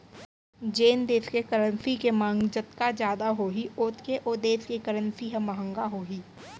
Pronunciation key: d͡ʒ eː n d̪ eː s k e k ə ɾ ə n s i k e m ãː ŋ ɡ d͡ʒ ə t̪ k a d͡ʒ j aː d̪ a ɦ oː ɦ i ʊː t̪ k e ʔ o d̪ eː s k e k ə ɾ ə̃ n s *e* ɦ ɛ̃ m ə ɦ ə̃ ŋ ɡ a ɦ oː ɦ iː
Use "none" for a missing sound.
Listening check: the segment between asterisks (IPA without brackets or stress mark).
i